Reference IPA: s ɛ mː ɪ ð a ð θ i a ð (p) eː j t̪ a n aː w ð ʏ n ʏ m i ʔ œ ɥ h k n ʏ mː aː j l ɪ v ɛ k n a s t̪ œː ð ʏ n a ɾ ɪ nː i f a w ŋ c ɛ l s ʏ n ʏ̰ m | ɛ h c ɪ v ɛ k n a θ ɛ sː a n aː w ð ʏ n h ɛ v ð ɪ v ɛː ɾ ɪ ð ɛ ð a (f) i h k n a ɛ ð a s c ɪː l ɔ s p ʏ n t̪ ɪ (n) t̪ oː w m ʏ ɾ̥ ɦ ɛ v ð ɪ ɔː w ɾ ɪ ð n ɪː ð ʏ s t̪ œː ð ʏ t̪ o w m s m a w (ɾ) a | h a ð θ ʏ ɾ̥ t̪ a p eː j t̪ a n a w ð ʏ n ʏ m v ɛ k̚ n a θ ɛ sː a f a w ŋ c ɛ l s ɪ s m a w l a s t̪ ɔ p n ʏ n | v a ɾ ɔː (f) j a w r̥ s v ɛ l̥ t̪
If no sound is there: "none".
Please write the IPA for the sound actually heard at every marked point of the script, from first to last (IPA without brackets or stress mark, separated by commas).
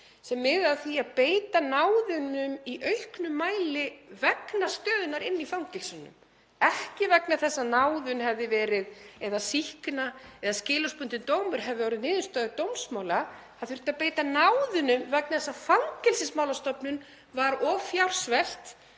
p, s, n, l, f